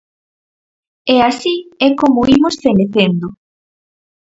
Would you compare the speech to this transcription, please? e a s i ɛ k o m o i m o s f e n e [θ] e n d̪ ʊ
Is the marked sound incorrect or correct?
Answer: correct